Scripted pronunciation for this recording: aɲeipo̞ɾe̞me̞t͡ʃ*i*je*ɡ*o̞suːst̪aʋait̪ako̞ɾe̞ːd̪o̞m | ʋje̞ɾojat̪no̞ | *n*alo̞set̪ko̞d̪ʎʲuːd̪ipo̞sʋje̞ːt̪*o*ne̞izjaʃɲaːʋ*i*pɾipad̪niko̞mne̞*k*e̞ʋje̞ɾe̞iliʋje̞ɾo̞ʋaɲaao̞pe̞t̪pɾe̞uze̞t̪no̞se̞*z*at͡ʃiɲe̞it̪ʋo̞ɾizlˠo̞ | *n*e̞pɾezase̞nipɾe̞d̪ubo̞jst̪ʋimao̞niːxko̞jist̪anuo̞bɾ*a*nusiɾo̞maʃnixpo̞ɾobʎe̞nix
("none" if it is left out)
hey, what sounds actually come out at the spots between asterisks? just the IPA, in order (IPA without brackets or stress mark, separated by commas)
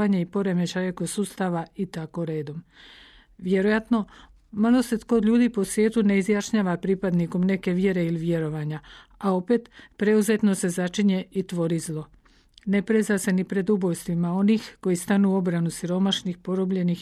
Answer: a, k, m, u, a, k, z, n, a